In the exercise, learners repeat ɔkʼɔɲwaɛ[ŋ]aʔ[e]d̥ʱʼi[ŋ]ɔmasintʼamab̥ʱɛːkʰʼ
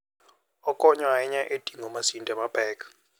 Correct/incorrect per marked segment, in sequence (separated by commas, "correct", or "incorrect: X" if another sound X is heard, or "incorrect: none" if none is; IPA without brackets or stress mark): incorrect: ɲ, correct, correct